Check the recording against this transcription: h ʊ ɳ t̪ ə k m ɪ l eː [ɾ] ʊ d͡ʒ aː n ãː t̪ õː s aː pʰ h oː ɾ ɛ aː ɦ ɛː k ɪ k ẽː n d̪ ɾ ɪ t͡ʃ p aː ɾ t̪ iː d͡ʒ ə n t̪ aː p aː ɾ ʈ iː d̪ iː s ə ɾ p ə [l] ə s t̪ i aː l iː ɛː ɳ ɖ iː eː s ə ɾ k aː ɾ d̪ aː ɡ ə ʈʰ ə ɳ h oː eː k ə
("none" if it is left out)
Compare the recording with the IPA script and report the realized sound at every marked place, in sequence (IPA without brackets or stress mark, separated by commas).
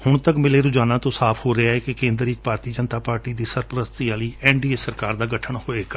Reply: ɾ, ɾ